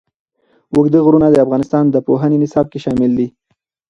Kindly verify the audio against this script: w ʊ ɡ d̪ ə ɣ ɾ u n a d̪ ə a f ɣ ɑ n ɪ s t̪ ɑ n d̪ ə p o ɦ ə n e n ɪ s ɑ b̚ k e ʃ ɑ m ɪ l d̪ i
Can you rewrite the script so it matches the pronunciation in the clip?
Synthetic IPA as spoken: w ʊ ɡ d̪ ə ɣ ɾ u n a d̪ ə a f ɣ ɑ n ɪ s t̪ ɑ n d̪ ə p o ɦ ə n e n ɪ s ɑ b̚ k e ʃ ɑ m ɪ l d̪ i